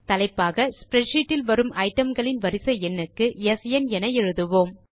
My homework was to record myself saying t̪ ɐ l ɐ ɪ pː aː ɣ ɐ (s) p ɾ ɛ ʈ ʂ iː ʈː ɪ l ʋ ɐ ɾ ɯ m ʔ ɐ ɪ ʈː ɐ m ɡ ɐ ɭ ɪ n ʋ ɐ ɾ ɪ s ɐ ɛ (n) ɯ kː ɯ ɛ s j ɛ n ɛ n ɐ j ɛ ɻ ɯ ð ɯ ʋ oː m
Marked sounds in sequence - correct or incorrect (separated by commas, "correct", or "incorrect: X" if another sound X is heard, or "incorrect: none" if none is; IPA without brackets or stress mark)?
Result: correct, incorrect: nː